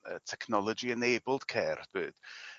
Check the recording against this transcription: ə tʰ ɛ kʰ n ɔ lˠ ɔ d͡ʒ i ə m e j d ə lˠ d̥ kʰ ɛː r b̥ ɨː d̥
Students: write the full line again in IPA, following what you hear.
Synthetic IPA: ə tʰ ɛ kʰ n ɔ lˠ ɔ d͡ʒ i ə n e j b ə lˠ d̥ kʰ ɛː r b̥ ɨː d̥